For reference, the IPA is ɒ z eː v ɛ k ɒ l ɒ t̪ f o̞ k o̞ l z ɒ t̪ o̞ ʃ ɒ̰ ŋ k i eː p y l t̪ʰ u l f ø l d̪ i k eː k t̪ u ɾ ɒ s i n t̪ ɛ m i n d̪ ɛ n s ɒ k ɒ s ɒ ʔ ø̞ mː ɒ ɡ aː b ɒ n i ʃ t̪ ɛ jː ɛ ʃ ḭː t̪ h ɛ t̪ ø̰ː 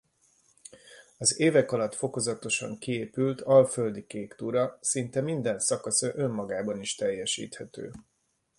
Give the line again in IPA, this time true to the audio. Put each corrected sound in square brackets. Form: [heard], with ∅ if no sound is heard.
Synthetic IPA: ɒ z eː v ɛ k ɒ l ɒ t̪ f o̞ k o̞ [∅] z ɒ t̪ o̞ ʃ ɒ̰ ŋ k i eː p y l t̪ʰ [ɒ] l f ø l d̪ i k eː k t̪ u ɾ ɒ s i n t̪ ɛ m i n d̪ ɛ n s ɒ k ɒ s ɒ ʔ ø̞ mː ɒ ɡ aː b ɒ n i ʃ t̪ ɛ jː ɛ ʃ ḭː t̪ h ɛ t̪ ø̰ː

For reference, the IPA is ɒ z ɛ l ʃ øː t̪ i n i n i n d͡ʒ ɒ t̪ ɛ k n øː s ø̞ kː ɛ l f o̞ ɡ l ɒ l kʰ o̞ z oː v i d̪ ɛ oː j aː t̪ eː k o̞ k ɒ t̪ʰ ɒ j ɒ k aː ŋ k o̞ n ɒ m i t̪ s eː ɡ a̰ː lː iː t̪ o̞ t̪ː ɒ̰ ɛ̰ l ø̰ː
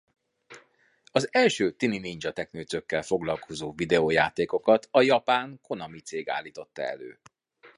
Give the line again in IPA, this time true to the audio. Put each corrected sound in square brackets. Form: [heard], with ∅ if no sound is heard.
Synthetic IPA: ɒ z ɛ l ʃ øː t̪ i n i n i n d͡ʒ ɒ t̪ ɛ k n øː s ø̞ kː ɛ l f o̞ ɡ l ɒ l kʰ o̞ z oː v i d̪ ɛ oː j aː t̪ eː k o̞ k ɒ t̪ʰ ɒ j ɒ [p] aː ŋ k o̞ n ɒ m i t̪ s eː ɡ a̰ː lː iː t̪ o̞ t̪ː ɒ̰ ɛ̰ l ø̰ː

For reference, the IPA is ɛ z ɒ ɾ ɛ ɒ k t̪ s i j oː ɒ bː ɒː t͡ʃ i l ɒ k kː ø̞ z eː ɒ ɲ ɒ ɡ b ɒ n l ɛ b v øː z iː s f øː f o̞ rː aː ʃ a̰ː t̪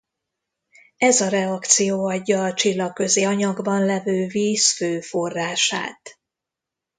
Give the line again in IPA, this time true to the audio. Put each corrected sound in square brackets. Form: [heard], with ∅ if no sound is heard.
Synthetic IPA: ɛ z ɒ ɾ ɛ ɒ k t̪ s i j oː ɒ [ɟː] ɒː t͡ʃ i [lː] ɒ k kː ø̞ z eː ɒ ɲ ɒ ɡ b ɒ n l ɛ [∅] v øː [v] iː s f øː f o̞ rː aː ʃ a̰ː t̪

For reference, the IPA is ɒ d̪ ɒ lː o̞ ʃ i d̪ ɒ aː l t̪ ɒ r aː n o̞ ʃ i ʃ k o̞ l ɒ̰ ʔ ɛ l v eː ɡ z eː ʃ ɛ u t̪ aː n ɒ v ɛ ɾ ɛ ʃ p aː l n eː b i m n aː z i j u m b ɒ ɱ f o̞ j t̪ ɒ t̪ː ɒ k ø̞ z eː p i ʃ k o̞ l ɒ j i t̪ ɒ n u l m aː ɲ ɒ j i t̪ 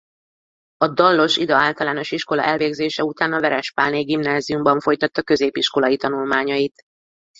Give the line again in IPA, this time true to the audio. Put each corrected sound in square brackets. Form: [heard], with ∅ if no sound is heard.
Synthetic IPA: ɒ d̪ ɒ lː o̞ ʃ i d̪ ɒ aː l t̪ ɒ [l] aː n o̞ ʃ i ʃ k o̞ l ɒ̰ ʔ ɛ l v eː ɡ z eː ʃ ɛ u t̪ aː n ɒ v ɛ ɾ ɛ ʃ p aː l n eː [ɡ] i m n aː z i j u m b ɒ ɱ f o̞ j t̪ ɒ t̪ː ɒ k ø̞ z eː p i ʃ k o̞ l ɒ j i t̪ ɒ n u l m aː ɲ ɒ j i t̪

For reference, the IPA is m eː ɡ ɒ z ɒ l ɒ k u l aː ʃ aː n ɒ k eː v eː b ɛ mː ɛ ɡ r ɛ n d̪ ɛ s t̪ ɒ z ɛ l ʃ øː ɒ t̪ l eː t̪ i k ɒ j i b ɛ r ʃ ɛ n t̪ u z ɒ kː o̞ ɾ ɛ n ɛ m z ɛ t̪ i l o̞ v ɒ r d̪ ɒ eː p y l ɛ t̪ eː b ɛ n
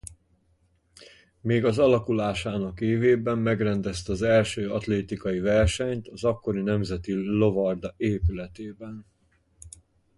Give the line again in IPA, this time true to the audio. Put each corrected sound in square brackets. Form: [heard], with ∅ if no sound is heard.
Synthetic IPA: m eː ɡ ɒ z ɒ l ɒ k u l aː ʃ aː n ɒ k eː v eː b ɛ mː ɛ ɡ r ɛ n d̪ ɛ s t̪ ɒ z ɛ l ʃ øː ɒ t̪ l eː t̪ i k ɒ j i [v] ɛ r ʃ ɛ [ɲ] t̪ [ɒ] z ɒ kː o̞ ɾ [i] n ɛ m z ɛ t̪ i l o̞ v ɒ r d̪ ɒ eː p y l ɛ t̪ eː b ɛ n

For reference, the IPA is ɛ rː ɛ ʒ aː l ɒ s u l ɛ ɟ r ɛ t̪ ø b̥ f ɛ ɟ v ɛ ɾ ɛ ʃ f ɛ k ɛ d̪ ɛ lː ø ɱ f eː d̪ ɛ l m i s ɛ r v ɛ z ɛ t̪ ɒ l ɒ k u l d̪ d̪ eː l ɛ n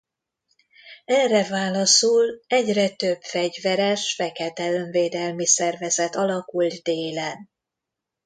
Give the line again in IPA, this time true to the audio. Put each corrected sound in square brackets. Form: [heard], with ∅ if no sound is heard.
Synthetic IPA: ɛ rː ɛ [v] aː l ɒ s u l ɛ ɟ r ɛ t̪ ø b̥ f ɛ ɟ v ɛ ɾ ɛ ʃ f ɛ k ɛ [t̪] ɛ [l] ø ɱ [v] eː d̪ ɛ l m i s ɛ r v ɛ z ɛ t̪ ɒ l ɒ k u l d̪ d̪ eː l ɛ n

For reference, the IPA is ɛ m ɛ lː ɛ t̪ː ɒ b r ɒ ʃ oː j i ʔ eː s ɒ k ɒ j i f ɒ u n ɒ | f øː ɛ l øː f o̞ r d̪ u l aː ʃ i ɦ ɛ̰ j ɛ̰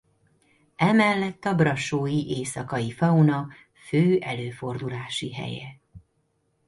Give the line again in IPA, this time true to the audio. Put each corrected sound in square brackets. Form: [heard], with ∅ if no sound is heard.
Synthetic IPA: ɛ m ɛ lː ɛ t̪ː ɒ b r ɒ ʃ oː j i ʔ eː s ɒ k ɒ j i f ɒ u n ɒ | f øː ɛ l øː f o̞ r d̪ u l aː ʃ i ɦ ɛ̰ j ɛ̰

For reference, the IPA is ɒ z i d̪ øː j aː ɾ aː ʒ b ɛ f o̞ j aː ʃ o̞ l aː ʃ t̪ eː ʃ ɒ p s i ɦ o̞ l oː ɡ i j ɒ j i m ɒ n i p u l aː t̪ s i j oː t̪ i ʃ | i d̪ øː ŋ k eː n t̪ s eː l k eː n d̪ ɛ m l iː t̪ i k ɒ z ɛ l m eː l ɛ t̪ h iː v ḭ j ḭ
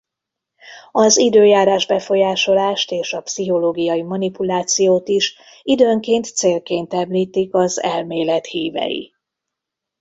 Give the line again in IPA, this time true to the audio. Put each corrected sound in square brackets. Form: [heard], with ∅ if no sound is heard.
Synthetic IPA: ɒ z i d̪ øː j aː ɾ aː ʒ b ɛ f o̞ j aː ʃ o̞ l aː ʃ t̪ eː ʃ ɒ p s i ɦ o̞ l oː ɡ i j ɒ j i m ɒ n i p u l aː t̪ s i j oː t̪ i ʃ | i d̪ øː ŋ k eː n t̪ s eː l k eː n [t̪] ɛ m l iː t̪ i k ɒ z ɛ l m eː l ɛ t̪ h iː v [ɛ̰] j ḭ

